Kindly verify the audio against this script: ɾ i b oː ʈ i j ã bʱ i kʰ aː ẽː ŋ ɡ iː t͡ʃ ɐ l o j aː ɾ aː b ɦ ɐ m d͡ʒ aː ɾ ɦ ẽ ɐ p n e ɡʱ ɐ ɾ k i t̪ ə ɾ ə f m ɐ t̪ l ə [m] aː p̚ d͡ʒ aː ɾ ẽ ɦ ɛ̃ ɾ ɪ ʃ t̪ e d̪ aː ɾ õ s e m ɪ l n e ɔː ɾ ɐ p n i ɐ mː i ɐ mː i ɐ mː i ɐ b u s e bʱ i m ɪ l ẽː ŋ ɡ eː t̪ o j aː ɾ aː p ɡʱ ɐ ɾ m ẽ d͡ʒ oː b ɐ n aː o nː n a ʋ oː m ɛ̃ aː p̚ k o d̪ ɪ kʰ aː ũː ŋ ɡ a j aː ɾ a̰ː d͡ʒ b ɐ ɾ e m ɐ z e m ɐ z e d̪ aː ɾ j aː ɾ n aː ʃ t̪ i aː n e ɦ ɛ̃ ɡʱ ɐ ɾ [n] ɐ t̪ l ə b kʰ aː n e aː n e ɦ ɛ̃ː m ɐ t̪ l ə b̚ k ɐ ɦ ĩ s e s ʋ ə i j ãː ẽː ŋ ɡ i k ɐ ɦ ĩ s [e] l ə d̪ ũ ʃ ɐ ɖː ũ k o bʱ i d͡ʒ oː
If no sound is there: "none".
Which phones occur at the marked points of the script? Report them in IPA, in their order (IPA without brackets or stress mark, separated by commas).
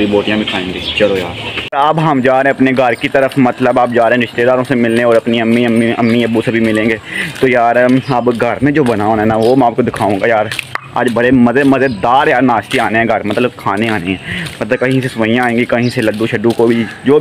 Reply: b, m, e